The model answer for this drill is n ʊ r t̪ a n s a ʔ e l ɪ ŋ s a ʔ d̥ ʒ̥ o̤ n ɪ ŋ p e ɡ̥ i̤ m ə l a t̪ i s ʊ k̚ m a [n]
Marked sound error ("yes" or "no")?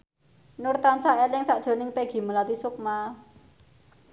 yes